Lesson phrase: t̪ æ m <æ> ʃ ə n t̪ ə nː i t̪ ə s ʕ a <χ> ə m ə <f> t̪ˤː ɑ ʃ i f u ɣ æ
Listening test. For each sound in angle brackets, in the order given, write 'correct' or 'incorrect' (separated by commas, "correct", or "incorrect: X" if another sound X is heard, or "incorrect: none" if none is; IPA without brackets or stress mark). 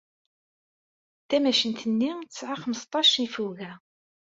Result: correct, correct, incorrect: s